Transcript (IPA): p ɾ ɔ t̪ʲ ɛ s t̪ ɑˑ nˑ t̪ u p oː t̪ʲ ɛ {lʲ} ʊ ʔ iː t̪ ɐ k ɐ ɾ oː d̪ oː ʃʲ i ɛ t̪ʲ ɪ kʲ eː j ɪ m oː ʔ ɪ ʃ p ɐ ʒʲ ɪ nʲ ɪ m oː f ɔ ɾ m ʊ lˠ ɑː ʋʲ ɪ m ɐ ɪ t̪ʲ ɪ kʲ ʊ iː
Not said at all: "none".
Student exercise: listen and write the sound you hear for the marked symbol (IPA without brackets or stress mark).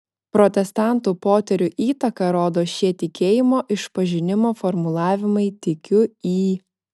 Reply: ɾʲ